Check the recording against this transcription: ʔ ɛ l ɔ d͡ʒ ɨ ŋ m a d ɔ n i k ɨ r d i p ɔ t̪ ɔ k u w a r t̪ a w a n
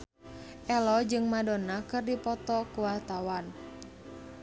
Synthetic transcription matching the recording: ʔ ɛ l ɔ d͡ʒ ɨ ŋ m a d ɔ n a k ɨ r d i p ɔ t̪ ɔ k u w a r t̪ a w a n

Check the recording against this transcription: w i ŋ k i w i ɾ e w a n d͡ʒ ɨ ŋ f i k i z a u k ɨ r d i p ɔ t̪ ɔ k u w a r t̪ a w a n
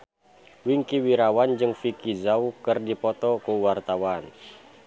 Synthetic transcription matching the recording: w i ŋ k i w i ɾ a w a n d͡ʒ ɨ ŋ f i k i z a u k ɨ r d i p ɔ t̪ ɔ k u w a r t̪ a w a n

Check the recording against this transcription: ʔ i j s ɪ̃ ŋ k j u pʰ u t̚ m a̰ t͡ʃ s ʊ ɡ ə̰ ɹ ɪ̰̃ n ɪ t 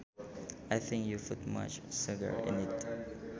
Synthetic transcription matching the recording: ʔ a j θ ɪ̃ ŋ k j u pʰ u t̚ m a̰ t͡ʃ s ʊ ɡ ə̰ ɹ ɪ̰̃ n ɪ t

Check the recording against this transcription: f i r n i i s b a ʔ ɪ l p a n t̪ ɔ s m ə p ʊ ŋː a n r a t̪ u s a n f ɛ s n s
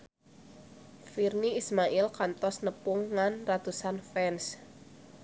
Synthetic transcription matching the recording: f i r n i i s m a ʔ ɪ l k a n t̪ ɔ s n ə p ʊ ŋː a n r a t̪ u s a n f ɛ n s

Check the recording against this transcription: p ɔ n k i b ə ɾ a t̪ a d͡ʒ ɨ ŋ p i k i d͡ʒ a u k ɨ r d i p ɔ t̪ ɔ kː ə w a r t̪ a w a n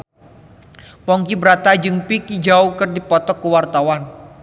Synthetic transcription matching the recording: p ɔ ŋ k i b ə ɾ a t̪ a d͡ʒ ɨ ŋ p i k i d͡ʒ a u k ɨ r d i p ɔ t̪ ɔ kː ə w a r t̪ a w a n

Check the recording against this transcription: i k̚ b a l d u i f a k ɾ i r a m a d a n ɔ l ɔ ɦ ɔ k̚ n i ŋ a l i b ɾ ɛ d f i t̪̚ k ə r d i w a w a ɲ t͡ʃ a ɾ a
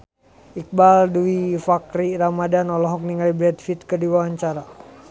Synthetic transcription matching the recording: i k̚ b a l d u i f a k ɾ i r a m a d a n ɔ l ɔ ɦ ɔ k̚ n i ŋ a l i b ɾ ɛ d f i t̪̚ k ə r d i w a w a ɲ t͡ʃ a ɾ a

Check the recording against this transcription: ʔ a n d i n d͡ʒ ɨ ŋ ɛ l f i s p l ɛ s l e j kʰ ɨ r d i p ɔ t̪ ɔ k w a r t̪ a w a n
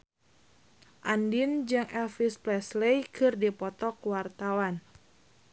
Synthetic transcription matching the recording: ʔ a n d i n d͡ʒ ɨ ŋ ɛ l f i s p l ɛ s l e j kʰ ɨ r d i p ɔ t̪ ɔ k w a r t̪ a w a n

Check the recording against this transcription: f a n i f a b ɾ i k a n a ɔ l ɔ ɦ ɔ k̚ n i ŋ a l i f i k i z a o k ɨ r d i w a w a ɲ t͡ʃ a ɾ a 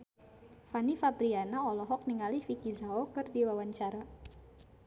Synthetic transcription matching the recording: f a n i f a b ɾ i a n a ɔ l ɔ ɦ ɔ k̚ n i ŋ a l i f i k i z a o k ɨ r d i w a w a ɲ t͡ʃ a ɾ a

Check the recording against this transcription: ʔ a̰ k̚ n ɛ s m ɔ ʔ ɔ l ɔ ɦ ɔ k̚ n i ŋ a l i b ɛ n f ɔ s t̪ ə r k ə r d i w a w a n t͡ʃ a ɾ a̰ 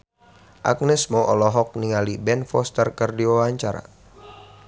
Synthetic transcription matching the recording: ʔ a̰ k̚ n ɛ s m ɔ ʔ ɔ l ɔ ɦ ɔ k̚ n i ŋ a l i b ɛ n f ɔ s t̪ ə r k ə r d i w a w a ɲ t͡ʃ a ɾ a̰

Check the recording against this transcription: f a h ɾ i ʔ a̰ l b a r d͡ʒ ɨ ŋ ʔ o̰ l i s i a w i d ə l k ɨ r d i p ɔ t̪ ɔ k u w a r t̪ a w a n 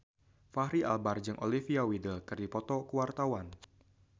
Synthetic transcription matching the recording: f a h ɾ i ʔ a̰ l b a r d͡ʒ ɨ ŋ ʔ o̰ l i f i a w i d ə l k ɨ r d i p ɔ t̪ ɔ k u w a r t̪ a w a n

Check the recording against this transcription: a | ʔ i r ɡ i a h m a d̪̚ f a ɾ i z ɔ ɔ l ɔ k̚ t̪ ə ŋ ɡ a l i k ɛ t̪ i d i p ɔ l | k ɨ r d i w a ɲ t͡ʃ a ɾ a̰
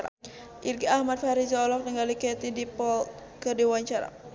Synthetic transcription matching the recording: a | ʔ i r ɡ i a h m a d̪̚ f a ɾ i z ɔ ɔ l ɔ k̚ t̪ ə ŋ ɡ a l i k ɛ t̪ i d i p ɔ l | k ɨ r d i w a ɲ t͡ʃ a ɾ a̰

